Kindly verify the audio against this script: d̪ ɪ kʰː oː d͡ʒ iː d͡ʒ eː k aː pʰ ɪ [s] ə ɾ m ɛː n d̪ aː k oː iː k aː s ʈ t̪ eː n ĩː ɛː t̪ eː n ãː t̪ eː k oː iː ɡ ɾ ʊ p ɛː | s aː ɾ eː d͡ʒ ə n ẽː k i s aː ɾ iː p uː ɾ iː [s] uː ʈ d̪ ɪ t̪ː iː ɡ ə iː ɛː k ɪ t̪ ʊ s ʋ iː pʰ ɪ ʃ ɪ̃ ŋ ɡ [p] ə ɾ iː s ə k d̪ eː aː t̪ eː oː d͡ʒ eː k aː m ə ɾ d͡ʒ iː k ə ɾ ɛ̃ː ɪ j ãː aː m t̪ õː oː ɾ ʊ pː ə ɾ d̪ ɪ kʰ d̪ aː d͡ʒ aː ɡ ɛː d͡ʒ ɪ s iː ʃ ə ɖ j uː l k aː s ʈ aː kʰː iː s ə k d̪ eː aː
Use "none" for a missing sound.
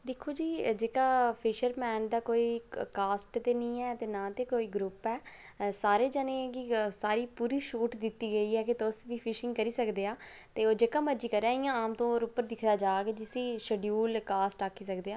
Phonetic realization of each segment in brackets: ʃ, ʃ, k

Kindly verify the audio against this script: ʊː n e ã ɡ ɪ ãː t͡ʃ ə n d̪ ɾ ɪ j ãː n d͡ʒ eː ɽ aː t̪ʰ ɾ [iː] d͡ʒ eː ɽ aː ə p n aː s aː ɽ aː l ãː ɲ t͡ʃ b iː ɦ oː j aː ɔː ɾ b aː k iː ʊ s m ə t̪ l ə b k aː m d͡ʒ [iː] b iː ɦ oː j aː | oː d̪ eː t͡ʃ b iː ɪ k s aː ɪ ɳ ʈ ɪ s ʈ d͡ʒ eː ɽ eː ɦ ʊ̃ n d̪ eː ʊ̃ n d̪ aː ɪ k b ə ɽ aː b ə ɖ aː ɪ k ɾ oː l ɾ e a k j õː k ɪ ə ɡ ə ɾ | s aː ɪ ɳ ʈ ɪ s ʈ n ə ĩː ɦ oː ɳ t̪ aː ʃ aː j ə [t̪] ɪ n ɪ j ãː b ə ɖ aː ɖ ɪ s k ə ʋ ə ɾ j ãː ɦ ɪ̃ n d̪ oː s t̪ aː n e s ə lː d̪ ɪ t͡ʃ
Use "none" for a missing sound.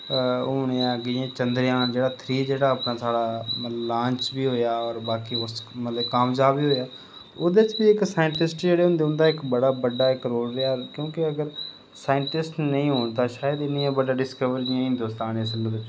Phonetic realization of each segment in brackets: iː, aː, d̪

